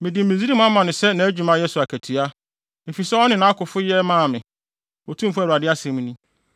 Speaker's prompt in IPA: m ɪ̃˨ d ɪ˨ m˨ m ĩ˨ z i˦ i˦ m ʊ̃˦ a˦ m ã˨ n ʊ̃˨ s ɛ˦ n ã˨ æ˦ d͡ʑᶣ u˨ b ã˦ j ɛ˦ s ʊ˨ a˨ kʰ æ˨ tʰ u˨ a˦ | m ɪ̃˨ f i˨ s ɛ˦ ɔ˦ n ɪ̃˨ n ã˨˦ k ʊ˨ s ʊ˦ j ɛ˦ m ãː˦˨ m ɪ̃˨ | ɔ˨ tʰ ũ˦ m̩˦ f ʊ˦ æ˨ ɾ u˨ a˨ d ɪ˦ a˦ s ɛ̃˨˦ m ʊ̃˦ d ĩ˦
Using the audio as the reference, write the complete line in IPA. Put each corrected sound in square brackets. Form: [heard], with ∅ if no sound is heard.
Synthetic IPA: m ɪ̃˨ d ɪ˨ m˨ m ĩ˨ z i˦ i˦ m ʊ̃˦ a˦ m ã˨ n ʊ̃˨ s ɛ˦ n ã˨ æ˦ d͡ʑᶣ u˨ [m] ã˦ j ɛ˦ s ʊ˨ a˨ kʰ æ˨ tʰ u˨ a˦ | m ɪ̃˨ f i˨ s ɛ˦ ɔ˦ n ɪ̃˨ n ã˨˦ k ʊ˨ [f] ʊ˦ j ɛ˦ m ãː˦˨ m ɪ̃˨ | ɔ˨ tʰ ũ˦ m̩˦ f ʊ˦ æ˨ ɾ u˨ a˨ d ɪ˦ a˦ s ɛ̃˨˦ m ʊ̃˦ [n] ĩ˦